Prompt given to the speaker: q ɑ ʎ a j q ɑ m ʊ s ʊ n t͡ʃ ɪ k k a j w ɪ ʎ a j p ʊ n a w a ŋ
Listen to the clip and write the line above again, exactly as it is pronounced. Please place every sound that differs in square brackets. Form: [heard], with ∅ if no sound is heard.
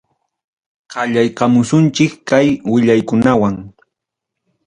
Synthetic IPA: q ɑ ʎ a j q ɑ m ʊ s ʊ n t͡ʃ ɪ k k a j w ɪ ʎ a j [k] ʊ n a w a ŋ